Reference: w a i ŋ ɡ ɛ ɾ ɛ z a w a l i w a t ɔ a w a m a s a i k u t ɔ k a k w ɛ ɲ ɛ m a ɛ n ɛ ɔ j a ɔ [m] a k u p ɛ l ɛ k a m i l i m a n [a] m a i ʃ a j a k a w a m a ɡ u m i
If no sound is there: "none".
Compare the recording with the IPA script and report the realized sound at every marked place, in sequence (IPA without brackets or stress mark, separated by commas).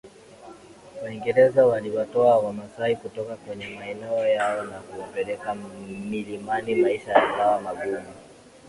n, i